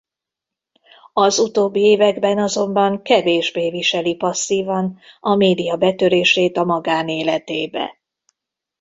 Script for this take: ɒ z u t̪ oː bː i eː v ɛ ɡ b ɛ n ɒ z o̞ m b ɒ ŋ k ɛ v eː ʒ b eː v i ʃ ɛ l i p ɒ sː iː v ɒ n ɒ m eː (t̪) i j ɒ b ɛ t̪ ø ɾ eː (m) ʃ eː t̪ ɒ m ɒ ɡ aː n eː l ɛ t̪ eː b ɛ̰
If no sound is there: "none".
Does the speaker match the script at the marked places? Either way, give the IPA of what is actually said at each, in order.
d̪, none

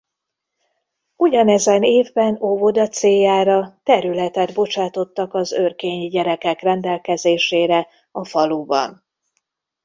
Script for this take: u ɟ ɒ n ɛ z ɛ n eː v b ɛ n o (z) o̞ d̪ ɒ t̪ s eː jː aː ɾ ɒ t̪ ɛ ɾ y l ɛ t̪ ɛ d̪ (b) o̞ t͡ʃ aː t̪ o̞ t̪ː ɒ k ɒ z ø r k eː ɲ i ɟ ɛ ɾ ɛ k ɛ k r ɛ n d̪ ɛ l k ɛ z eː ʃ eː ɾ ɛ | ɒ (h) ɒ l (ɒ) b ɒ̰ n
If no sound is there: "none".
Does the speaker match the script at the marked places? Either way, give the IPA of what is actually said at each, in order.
v, b, f, u

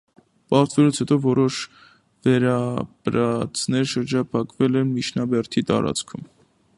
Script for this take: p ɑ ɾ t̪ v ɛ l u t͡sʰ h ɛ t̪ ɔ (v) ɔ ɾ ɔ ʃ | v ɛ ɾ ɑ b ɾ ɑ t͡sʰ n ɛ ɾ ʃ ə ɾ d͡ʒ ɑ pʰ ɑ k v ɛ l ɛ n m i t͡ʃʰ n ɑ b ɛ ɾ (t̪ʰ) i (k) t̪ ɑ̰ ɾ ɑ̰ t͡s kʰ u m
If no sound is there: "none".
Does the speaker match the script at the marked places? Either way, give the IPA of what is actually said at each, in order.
v, t̪ʰ, none

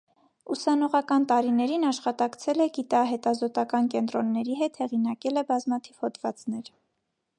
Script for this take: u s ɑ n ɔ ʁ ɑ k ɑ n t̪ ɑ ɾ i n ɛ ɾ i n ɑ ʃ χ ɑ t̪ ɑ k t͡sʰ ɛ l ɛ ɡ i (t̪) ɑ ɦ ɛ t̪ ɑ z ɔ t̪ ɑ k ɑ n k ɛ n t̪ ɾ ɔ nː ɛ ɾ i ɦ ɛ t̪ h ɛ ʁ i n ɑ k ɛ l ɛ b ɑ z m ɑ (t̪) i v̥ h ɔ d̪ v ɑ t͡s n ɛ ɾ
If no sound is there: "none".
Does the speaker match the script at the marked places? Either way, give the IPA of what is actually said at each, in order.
t̪, t̪ʰ

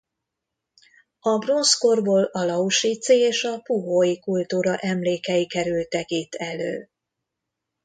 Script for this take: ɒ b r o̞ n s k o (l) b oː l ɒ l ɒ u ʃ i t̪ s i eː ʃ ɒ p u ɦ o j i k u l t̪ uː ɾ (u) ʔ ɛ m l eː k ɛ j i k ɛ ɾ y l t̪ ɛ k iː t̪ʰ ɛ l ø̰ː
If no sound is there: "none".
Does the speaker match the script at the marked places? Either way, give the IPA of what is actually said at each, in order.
r, ɒ

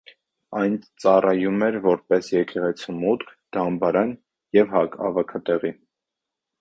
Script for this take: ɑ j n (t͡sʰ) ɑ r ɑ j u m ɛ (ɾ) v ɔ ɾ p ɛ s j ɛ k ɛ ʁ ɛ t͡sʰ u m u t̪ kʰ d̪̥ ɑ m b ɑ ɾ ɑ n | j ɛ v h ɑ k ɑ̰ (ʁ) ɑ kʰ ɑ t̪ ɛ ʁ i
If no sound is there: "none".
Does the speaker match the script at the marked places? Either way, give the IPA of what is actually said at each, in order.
t͡s, ɾ, v

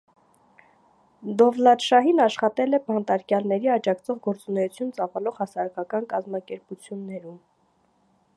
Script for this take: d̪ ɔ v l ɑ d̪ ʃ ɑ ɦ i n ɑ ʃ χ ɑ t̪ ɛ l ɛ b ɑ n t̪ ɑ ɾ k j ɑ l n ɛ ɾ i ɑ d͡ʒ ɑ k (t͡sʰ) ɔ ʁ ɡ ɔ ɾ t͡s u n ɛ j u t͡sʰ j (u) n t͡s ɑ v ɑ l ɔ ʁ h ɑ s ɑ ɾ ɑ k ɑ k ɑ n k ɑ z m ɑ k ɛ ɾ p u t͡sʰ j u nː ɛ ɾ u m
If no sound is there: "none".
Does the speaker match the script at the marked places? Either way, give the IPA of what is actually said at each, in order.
t͡sʰ, u

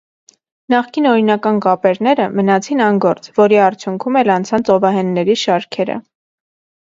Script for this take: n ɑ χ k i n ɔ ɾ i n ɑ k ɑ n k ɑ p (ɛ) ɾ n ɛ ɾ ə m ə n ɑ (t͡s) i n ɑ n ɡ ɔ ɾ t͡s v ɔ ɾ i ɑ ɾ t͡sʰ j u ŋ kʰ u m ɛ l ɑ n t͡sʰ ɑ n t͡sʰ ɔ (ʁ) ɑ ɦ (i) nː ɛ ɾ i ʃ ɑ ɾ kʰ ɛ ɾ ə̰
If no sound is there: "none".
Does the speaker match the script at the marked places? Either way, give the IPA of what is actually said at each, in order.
ɛ, t͡sʰ, v, ɛ

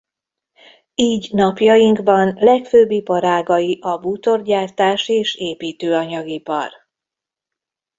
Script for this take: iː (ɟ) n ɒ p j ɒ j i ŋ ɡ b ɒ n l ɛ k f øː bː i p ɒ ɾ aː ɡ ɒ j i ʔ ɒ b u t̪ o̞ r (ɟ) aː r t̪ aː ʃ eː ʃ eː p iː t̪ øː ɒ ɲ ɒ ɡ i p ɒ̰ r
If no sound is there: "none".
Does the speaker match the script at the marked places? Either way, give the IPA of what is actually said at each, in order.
ɟ, ɟ

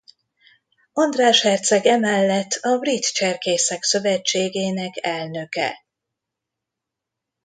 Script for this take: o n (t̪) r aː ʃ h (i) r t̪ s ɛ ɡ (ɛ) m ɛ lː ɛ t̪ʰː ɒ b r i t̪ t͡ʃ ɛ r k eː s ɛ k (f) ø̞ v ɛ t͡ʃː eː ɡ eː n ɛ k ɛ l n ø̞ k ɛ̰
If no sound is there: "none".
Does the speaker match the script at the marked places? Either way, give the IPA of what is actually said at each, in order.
d̪, ɛ, ɛ, s

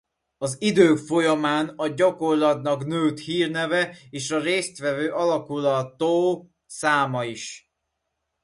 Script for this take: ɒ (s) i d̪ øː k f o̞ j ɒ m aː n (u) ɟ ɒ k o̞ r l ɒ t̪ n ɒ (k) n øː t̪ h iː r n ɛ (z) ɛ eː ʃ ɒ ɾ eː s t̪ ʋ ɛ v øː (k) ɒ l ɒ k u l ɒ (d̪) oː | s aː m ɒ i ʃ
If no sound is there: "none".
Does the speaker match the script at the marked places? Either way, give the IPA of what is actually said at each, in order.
z, ɒ, k, v, ʔ, t̪

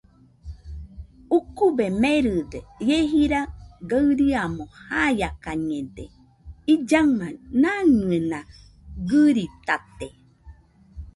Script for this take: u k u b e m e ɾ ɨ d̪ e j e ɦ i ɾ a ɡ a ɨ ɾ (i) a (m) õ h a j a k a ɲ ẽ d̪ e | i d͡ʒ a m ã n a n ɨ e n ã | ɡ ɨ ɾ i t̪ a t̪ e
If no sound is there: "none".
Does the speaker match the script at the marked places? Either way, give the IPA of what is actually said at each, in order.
i, m

